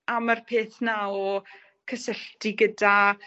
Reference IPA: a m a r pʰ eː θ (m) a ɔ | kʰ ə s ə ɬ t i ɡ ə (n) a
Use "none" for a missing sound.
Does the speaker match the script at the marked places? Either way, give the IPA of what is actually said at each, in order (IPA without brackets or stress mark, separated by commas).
n, d